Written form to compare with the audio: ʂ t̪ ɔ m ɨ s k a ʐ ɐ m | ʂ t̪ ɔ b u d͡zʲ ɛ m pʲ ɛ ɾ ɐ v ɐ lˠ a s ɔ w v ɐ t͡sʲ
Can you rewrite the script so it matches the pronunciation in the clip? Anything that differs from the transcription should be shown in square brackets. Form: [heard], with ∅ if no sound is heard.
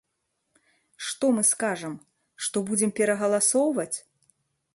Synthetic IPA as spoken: ʂ t̪ ɔ m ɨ s k a ʐ ɐ m | ʂ t̪ ɔ b u d͡zʲ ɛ m pʲ ɛ ɾ ɐ [ɣ] ɐ lˠ a s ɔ w v ɐ t͡sʲ